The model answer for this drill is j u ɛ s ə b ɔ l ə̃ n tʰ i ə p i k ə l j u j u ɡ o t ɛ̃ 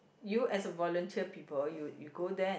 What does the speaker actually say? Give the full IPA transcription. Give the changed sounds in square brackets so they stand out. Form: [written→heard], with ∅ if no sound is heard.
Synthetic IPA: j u ɛ s ə [b→v] ɔ l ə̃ n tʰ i ə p i [k→p] ə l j u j u ɡ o [t→d] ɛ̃